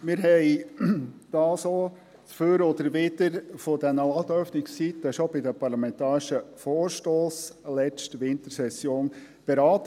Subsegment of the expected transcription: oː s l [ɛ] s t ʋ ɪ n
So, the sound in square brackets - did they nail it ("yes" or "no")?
yes